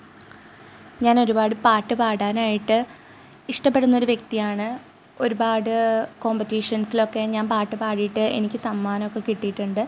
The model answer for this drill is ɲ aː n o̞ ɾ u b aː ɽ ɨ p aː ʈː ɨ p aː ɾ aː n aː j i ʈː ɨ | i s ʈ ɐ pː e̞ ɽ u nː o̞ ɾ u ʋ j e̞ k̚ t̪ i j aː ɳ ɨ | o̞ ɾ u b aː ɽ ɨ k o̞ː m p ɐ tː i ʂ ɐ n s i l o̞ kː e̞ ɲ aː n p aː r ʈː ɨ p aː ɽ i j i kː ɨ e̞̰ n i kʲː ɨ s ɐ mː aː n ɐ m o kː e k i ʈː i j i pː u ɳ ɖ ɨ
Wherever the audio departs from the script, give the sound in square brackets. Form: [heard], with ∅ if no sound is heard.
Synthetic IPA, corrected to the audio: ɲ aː n o̞ ɾ u b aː ɽ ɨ p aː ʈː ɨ p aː [ɽ] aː n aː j i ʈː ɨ | i [ʂ] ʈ ɐ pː e̞ ɽ u nː o̞ ɾ u ʋ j e̞ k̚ t̪ i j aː ɳ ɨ | o̞ ɾ u b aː ɽ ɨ k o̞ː m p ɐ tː i ʂ ɐ n s i l o̞ kː e̞ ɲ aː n p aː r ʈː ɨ p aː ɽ i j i [ʈː] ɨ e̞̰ n i kʲː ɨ s ɐ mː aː n ɐ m o kː e k i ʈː i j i [ʈː] u ɳ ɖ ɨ